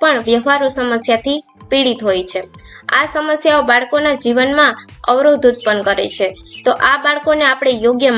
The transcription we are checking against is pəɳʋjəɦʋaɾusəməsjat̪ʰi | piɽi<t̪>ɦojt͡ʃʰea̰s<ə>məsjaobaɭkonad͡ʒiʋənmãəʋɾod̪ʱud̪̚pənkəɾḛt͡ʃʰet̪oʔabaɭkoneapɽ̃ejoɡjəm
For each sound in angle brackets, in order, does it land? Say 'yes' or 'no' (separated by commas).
yes, yes